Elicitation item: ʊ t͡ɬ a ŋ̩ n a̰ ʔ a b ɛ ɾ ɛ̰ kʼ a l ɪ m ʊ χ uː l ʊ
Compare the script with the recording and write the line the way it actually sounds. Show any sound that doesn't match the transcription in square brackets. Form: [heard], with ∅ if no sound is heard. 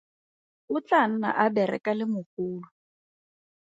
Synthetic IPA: ʊ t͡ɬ a [n̩] n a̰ ʔ a b ɛ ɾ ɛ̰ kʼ a l ɪ m ʊ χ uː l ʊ

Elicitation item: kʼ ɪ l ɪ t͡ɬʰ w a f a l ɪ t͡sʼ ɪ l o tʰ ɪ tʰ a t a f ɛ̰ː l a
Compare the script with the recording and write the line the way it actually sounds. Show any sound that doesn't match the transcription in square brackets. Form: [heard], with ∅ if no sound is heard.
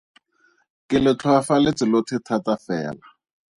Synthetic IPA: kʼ ɪ l ɪ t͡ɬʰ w a f a l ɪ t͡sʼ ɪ l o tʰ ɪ tʰ a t a f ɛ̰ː l a

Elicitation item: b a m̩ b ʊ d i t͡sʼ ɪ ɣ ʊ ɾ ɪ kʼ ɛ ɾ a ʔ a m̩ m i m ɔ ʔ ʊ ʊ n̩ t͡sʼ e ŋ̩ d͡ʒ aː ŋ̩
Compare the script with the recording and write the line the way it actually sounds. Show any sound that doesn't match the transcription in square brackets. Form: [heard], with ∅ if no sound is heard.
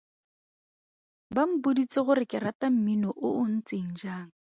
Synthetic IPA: b a m̩ b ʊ d i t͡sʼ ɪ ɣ ʊ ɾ ɪ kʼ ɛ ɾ a [t] a m̩ m i [n] ɔ ʔ ʊ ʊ n̩ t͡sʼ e ŋ̩ d͡ʒ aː ŋ̩

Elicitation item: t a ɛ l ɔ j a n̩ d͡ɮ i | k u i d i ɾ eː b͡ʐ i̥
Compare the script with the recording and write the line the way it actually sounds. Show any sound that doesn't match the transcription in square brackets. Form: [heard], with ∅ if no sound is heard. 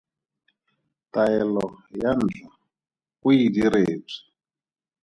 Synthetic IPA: t a ɛ l ɔ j a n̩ d͡ɮ [a] | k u i d i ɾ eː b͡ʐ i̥

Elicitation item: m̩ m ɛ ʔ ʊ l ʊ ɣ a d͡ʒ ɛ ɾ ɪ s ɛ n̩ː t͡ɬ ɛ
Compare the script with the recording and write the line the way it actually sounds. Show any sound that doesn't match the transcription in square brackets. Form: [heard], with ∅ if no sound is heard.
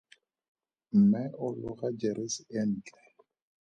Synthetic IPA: m̩ m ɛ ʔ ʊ l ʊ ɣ a d͡ʒ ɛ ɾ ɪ s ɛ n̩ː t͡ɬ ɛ

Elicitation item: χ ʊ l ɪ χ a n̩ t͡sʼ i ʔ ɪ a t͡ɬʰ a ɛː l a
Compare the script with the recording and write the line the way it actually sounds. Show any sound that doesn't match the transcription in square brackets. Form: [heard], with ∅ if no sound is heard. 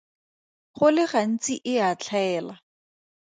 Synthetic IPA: χ ʊ l ɪ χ a n̩ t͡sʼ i ʔ ɪ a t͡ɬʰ a ɛː l a

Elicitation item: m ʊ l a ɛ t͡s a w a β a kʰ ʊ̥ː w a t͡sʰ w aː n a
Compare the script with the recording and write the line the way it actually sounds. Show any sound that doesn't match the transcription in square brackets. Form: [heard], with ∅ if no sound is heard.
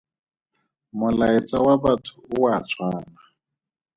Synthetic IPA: m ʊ l a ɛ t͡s a w a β a [tʰ] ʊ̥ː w a t͡sʰ w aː n a

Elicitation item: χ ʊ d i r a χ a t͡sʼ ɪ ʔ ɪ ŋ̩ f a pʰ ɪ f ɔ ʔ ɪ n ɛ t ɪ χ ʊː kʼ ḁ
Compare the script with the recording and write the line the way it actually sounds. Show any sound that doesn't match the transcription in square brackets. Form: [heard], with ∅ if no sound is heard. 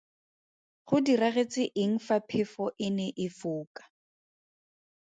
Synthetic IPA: χ ʊ d i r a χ [e] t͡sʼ ɪ ʔ ɪ ŋ̩ f a pʰ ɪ f ɔ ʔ ɪ n ɛ [ʔ] ɪ [f] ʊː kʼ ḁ

